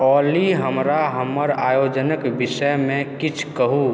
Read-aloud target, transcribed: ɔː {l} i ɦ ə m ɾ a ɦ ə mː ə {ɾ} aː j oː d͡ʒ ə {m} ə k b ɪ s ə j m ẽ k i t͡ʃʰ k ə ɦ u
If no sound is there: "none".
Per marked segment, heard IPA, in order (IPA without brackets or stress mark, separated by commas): l, ɾ, n